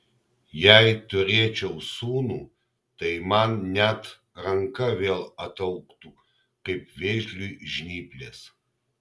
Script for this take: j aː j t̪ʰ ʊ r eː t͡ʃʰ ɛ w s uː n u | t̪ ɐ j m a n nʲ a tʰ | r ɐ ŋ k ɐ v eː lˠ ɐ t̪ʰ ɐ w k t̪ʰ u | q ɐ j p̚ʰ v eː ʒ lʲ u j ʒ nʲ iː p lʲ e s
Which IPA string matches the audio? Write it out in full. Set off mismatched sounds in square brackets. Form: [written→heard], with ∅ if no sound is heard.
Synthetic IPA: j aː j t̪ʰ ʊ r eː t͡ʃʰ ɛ w s uː n u | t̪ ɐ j m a n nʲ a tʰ | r ɐ ŋ k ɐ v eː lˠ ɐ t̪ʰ ɐ w k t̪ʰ u | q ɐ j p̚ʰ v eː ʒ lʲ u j ʒ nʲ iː p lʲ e s

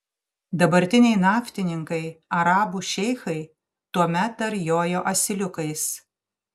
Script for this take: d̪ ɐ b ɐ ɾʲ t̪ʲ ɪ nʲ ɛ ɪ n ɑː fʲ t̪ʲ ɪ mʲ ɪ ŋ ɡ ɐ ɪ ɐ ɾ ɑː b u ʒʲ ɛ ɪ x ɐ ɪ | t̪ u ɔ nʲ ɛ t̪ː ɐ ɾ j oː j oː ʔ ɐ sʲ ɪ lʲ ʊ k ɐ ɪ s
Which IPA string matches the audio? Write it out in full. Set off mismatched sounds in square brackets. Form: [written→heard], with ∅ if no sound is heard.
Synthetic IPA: d̪ ɐ b ɐ ɾʲ t̪ʲ ɪ nʲ ɛ ɪ n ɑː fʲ t̪ʲ ɪ [mʲ→nʲ] ɪ ŋ [ɡ→k] ɐ ɪ ɐ ɾ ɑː b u [ʒʲ→ʃʲ] ɛ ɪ x ɐ ɪ | t̪ u ɔ [nʲ→mʲ] ɛ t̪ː ɐ ɾ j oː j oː ʔ ɐ sʲ ɪ lʲ ʊ k ɐ ɪ s

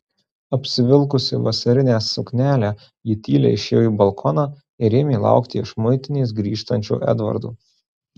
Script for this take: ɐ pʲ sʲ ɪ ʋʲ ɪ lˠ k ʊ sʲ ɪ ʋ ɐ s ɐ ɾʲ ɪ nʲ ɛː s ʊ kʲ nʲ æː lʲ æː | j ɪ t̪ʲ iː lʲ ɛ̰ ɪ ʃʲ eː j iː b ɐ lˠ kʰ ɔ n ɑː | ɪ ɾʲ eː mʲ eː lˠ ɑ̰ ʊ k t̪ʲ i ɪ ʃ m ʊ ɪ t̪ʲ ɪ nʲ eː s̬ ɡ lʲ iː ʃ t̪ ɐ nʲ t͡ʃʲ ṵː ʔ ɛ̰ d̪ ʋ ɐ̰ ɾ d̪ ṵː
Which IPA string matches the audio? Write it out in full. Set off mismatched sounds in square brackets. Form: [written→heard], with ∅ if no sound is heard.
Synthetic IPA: ɐ pʲ sʲ ɪ ʋʲ ɪ lˠ k ʊ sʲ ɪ ʋ ɐ s ɐ ɾʲ ɪ nʲ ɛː s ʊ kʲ nʲ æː lʲ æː | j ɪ t̪ʲ iː lʲ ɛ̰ ɪ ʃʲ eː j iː b ɐ lˠ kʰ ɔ n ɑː | ɪ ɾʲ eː mʲ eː lˠ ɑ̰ ʊ k t̪ʲ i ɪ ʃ m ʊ ɪ t̪ʲ ɪ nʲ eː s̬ ɡ [lʲ→ɾʲ] iː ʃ t̪ ɐ nʲ t͡ʃʲ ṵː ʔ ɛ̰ d̪ ʋ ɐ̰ ɾ d̪ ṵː

